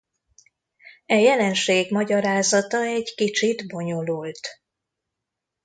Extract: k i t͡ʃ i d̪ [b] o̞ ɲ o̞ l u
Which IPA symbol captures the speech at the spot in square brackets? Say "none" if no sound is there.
b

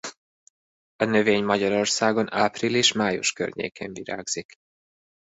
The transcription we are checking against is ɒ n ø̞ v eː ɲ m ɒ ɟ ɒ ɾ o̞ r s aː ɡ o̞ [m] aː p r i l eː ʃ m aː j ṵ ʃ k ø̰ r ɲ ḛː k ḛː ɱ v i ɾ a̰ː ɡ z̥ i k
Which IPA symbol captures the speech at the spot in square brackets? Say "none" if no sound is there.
n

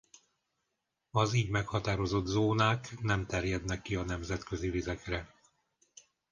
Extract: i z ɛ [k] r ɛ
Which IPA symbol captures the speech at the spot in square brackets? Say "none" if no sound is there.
k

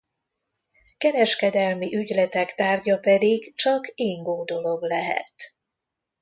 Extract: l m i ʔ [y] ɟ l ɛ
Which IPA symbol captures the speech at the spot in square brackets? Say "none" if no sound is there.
y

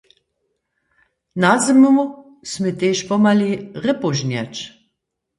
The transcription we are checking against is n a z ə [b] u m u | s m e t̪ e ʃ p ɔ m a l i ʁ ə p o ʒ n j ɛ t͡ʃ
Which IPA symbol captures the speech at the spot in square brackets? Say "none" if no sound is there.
m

